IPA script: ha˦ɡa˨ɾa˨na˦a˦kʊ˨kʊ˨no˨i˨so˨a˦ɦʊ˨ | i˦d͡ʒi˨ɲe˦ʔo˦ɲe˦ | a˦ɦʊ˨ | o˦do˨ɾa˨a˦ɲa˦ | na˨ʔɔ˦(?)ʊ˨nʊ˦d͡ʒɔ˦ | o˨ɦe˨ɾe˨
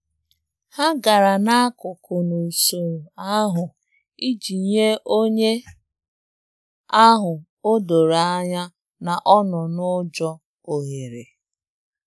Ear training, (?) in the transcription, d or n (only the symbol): n